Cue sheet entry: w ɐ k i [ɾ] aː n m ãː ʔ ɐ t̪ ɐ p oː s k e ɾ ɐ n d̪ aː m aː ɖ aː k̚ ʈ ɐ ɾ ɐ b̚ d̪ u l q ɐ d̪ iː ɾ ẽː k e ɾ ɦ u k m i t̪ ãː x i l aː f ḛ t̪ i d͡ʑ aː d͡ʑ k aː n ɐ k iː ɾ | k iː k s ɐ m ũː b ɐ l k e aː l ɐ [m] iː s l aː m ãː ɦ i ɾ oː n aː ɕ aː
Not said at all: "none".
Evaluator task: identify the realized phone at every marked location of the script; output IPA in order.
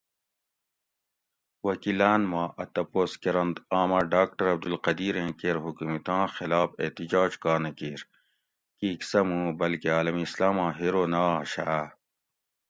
l, m

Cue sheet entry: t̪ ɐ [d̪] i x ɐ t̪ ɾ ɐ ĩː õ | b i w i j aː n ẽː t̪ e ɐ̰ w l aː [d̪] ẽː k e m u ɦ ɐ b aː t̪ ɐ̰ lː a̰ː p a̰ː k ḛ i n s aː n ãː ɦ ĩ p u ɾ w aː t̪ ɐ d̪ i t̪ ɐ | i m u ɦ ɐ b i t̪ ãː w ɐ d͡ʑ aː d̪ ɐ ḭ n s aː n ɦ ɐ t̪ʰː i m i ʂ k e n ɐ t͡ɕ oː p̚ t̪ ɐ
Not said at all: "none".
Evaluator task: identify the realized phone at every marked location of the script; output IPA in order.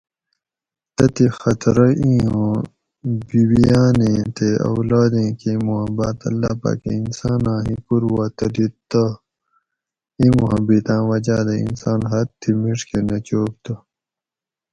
t̪, d̪

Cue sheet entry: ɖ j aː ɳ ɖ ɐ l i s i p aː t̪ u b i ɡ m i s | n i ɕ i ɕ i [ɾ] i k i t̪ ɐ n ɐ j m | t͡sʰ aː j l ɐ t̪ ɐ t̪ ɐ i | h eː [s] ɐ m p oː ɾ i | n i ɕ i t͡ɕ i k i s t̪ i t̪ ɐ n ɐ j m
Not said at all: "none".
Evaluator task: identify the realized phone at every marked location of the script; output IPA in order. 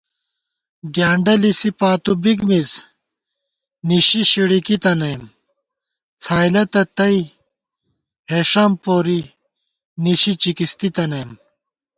ɽ, ʂ

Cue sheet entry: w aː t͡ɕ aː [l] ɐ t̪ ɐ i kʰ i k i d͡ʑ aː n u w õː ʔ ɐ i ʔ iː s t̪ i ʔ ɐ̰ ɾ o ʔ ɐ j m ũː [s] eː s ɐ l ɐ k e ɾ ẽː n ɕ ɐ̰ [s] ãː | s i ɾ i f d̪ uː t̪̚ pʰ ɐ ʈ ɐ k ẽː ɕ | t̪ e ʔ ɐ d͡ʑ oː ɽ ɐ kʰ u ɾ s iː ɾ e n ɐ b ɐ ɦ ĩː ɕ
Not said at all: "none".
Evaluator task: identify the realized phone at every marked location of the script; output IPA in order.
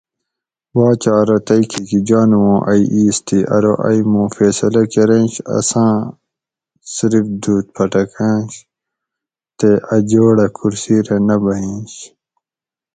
ɾ, f, s

